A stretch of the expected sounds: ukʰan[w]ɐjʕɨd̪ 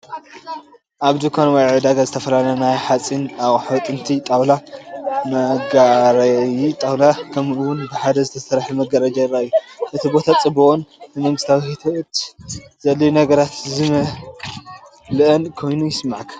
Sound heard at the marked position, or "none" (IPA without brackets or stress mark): w